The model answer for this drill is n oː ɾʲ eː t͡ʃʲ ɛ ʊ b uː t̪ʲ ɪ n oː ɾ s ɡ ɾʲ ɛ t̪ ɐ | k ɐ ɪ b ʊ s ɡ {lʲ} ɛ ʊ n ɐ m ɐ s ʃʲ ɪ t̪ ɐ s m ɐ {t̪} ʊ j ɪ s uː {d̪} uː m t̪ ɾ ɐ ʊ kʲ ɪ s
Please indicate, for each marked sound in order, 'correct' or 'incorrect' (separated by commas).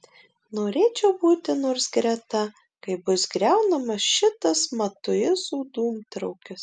incorrect, correct, correct